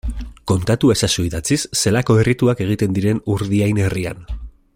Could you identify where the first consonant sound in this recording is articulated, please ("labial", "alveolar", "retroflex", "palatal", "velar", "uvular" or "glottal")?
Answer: velar